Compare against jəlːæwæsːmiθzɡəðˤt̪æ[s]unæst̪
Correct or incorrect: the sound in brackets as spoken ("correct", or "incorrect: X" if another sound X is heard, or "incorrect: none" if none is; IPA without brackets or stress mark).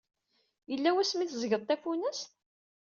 incorrect: f